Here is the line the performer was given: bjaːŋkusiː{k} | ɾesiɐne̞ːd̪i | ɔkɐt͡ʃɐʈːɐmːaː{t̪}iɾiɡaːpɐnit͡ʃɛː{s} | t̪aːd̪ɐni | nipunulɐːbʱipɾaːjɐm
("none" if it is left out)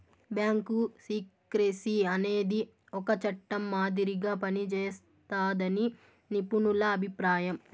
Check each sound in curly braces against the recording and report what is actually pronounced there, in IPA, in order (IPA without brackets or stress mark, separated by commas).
k, d̪, s